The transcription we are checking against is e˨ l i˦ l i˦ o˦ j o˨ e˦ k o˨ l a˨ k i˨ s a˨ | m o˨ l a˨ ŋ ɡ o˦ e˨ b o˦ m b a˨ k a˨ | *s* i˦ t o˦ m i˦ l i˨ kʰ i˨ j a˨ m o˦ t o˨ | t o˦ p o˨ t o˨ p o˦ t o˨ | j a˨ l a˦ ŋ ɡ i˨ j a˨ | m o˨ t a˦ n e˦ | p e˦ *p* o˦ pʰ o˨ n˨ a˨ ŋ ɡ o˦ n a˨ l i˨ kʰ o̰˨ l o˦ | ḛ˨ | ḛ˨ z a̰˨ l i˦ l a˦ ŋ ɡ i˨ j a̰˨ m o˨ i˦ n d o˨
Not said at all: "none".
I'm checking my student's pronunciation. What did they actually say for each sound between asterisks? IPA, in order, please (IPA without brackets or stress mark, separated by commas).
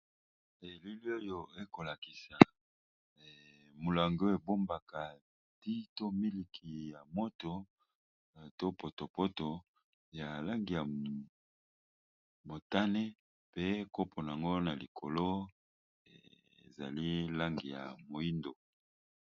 t, k